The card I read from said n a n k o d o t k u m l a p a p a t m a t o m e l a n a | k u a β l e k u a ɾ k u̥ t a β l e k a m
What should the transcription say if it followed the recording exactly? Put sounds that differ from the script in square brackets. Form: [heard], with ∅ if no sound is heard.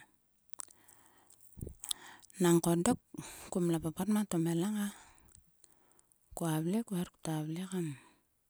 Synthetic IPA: n a [ŋ] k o d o [k] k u m l a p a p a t m a t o m e l a [ŋ] a | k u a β l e k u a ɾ k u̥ t a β l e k a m